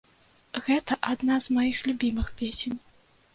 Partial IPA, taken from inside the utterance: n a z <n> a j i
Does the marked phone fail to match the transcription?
yes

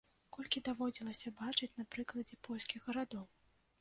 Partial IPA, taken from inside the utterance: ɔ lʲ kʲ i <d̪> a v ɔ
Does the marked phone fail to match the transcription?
no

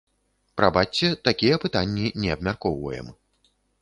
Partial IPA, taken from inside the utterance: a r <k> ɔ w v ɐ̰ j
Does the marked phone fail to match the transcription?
no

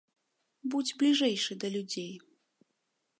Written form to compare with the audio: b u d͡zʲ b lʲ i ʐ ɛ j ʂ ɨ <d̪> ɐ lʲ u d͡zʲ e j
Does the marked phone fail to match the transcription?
no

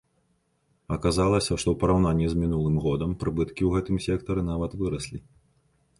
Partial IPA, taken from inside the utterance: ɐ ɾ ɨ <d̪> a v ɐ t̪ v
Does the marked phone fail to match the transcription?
yes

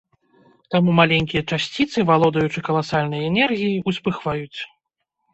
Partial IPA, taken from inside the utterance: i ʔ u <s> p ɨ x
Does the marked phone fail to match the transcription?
no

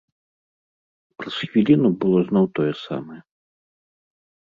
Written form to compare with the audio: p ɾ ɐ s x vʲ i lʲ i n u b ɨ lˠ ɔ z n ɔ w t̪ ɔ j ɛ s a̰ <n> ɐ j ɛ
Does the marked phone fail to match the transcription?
yes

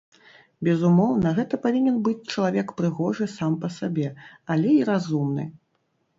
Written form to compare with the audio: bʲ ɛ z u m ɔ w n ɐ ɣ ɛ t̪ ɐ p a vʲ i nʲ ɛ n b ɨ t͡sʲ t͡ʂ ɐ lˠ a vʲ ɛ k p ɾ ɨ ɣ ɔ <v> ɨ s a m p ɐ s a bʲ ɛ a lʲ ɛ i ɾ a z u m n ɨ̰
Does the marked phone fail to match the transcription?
yes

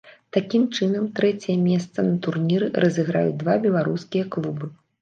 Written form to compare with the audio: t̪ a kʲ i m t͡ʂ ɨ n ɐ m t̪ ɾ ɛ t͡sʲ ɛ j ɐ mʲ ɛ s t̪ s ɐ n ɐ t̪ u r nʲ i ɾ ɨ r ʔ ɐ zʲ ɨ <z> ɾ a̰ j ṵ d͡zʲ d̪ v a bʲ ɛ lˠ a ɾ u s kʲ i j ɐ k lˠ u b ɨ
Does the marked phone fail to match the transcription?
yes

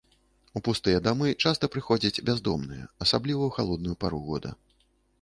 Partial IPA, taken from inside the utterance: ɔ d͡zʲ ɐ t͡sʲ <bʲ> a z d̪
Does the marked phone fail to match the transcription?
no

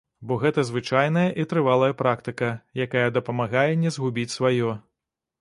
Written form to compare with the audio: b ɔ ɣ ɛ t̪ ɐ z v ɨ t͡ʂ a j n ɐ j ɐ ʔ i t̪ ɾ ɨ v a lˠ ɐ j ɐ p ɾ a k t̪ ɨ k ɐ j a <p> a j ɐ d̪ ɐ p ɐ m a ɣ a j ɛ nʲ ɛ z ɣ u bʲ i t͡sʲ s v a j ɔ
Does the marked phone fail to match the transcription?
yes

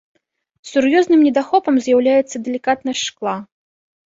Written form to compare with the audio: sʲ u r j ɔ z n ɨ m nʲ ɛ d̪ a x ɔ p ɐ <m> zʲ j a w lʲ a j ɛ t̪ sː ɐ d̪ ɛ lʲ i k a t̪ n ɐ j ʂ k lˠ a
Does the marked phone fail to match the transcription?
no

